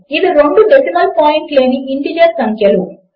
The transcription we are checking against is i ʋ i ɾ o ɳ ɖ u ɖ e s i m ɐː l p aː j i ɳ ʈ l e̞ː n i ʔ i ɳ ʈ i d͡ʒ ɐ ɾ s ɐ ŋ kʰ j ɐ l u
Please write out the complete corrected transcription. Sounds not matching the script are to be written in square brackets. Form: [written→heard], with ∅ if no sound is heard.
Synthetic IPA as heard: i ʋ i ɾ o ɳ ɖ u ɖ e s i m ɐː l p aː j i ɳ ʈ l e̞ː n i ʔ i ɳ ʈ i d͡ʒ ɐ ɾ s ɐ ŋ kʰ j ɐ l u